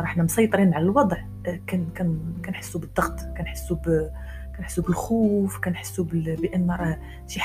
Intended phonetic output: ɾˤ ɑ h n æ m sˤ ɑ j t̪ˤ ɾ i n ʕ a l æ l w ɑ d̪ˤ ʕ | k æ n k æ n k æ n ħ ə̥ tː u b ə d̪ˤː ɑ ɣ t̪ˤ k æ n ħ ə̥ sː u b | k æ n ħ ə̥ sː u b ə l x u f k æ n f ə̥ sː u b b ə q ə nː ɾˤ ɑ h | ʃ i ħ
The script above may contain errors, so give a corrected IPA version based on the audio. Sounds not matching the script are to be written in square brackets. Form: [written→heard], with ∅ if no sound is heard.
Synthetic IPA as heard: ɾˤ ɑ [h→ħ] n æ m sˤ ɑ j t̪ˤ ɾ i n ʕ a l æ l w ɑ d̪ˤ ʕ | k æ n k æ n k æ n ħ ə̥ [tː→sː] u b ə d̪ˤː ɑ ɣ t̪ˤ k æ n ħ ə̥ sː u b | k æ n ħ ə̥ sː u b ə l x u f k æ n [f→ħ] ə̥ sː u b b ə [q→ʔ] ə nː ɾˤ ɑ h | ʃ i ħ